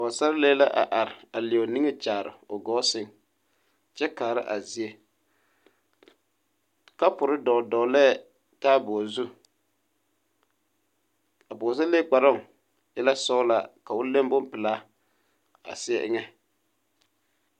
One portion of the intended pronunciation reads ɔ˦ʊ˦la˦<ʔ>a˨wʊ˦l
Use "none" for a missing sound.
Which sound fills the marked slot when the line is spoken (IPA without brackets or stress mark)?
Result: k